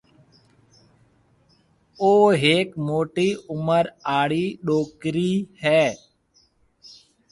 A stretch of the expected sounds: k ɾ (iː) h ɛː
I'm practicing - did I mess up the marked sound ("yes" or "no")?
no